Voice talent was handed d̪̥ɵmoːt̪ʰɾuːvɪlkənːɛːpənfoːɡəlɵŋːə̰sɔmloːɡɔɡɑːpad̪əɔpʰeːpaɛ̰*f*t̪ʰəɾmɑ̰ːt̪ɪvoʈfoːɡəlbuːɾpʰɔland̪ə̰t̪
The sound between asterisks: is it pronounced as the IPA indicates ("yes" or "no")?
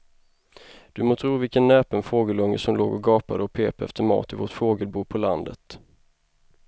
yes